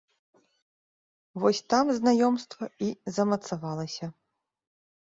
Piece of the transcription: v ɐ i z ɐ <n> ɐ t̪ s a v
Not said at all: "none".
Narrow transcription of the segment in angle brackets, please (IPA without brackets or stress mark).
m